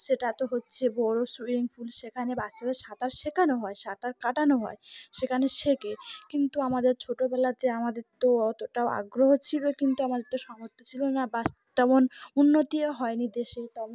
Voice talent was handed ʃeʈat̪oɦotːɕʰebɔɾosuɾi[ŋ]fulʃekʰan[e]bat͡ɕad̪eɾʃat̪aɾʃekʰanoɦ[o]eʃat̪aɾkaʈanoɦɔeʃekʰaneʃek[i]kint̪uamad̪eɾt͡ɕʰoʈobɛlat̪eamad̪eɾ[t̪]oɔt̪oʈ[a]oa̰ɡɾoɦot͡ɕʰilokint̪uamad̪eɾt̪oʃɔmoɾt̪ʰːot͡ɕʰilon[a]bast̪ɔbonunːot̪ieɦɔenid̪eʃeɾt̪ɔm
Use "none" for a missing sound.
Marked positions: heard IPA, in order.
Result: ŋ, e, ɔ, e, t̪, a, a

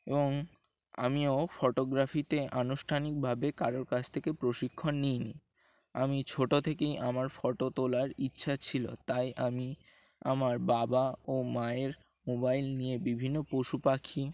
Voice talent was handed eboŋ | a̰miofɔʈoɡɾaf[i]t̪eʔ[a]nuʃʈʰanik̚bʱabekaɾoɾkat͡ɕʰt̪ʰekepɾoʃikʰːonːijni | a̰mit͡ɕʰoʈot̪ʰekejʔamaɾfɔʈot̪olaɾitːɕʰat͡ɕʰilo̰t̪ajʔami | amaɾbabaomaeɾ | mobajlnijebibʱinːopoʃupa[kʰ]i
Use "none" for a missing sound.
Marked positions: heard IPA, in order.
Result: i, a, kʰ

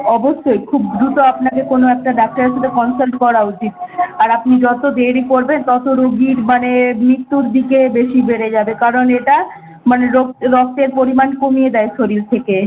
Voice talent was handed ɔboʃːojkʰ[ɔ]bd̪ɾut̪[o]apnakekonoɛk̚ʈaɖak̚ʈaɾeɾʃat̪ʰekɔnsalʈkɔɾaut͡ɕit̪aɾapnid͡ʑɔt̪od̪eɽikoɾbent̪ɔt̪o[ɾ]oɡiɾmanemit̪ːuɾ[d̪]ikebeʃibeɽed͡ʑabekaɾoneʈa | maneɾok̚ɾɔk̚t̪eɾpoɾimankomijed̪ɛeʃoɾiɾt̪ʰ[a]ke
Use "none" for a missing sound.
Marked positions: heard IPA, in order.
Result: u, o, ɾ, d̪, e

